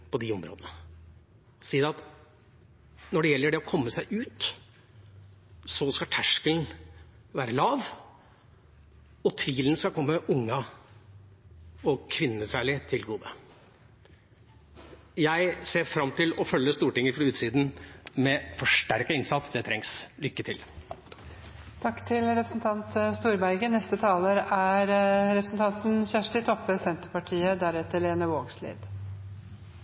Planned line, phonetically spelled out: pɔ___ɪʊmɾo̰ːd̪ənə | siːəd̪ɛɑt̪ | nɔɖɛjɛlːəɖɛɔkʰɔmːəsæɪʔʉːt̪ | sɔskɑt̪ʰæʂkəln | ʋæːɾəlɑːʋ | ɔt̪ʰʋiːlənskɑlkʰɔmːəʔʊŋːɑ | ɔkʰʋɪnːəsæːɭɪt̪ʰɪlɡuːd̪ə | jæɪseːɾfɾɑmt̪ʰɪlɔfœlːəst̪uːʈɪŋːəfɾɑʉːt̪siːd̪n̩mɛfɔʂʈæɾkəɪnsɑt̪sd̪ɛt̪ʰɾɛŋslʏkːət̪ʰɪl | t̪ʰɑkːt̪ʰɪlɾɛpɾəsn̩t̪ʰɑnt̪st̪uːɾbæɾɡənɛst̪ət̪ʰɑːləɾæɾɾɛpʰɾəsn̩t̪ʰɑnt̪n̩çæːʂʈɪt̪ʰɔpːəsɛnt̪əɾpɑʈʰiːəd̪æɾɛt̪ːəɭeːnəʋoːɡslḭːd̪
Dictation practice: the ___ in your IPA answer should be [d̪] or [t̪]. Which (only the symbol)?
d̪